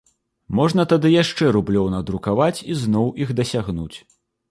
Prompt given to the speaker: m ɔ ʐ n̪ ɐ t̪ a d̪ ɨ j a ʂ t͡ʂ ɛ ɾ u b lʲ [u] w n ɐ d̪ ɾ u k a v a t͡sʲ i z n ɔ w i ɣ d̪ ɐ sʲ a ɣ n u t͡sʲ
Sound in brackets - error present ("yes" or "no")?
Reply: yes